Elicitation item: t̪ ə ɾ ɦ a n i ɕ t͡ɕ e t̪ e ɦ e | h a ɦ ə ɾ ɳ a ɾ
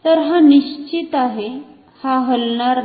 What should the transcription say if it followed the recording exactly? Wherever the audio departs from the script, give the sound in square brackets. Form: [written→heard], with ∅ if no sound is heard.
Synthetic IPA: t̪ ə ɾ ɦ a n i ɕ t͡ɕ [e→i] t̪ [e→a] ɦ e | h a ɦ ə [ɾ→l] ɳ a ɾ